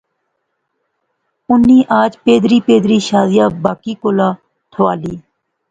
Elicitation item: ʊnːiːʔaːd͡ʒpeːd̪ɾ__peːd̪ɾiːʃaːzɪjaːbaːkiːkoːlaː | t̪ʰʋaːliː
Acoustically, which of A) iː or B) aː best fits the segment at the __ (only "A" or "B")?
A